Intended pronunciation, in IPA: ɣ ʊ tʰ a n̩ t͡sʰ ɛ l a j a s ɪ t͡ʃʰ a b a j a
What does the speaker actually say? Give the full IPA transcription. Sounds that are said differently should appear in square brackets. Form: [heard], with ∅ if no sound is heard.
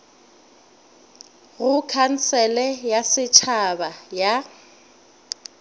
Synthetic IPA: ɣ ʊ [kʰ] a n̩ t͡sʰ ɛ l [ɛ] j a s ɪ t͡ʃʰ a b a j a